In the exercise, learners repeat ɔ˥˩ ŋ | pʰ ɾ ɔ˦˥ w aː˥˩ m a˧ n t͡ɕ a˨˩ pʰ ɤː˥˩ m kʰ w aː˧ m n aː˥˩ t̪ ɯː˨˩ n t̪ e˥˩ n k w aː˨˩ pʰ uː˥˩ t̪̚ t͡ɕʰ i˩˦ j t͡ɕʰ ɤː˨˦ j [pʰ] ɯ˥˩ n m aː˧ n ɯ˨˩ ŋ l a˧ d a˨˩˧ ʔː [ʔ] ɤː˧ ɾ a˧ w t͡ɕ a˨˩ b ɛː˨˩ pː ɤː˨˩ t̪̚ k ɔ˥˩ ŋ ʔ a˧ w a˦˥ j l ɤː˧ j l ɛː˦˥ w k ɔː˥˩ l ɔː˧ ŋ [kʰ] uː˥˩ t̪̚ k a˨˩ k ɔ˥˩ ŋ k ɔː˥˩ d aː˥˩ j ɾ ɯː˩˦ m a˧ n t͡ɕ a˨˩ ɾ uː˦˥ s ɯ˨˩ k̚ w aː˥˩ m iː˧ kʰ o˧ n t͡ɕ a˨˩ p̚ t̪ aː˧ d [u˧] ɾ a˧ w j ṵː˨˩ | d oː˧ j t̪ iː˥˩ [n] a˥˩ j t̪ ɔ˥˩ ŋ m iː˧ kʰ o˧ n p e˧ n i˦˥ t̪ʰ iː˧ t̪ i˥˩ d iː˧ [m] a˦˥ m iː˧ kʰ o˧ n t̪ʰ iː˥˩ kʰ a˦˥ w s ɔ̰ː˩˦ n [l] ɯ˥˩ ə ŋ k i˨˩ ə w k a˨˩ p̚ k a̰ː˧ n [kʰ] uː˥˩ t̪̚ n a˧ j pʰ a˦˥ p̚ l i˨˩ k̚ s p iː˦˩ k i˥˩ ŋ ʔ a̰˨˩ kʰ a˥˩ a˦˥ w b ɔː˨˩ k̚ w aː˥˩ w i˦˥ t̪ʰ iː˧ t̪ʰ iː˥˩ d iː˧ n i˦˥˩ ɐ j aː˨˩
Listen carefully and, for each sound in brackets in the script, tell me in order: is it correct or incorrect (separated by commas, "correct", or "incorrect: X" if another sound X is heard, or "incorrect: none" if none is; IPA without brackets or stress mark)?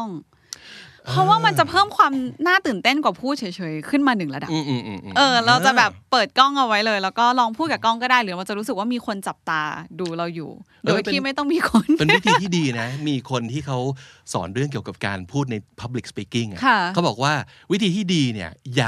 incorrect: kʰ, correct, incorrect: pʰ, incorrect: uː˧, incorrect: m, incorrect: n, incorrect: ɾ, incorrect: pʰ